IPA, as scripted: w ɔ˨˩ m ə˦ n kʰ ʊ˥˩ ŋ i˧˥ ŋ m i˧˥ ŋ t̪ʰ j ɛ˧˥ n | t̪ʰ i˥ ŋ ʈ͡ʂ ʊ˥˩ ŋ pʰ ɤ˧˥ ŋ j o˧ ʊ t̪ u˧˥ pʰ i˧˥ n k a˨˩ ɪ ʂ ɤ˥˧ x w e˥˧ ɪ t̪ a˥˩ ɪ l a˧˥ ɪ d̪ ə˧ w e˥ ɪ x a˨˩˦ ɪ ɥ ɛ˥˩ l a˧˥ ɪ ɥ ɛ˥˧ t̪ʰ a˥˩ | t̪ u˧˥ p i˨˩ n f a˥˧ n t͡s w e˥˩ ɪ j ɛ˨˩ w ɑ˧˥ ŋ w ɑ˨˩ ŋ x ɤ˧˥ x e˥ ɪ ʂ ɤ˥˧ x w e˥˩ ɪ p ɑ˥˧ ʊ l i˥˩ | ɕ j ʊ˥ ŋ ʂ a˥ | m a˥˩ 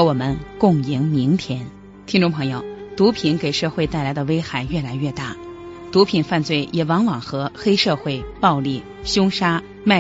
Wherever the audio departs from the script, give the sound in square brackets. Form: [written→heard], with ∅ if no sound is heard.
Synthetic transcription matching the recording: w ɔ˨˩ m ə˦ n [kʰ→k] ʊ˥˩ ŋ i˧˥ ŋ m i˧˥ ŋ t̪ʰ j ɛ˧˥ n | t̪ʰ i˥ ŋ ʈ͡ʂ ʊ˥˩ ŋ pʰ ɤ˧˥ ŋ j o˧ ʊ t̪ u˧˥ pʰ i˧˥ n k [a˨˩→e˨˩] ɪ ʂ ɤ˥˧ x w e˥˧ ɪ t̪ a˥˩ ɪ l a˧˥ ɪ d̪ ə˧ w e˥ ɪ x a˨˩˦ ɪ ɥ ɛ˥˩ l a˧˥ ɪ ɥ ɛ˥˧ [t̪ʰ→t̪] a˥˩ | t̪ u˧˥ [p→pʰ] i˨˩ n f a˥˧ n t͡s w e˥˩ ɪ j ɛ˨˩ w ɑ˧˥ ŋ w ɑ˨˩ ŋ x ɤ˧˥ x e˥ ɪ ʂ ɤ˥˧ x w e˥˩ ɪ p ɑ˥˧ ʊ l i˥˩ | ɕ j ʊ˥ ŋ ʂ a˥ | m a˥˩